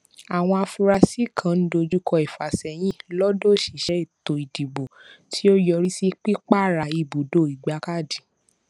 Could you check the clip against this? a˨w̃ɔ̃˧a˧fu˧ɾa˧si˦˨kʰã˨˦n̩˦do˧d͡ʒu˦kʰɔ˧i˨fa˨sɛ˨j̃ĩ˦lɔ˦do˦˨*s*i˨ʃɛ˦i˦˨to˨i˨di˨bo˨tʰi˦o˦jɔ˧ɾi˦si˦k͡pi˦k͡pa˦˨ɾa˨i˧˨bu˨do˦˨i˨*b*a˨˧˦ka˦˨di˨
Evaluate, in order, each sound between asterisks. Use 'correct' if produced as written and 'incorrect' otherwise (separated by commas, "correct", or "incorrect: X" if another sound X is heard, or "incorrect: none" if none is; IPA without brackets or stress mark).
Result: incorrect: ʃ, incorrect: ɡ͡b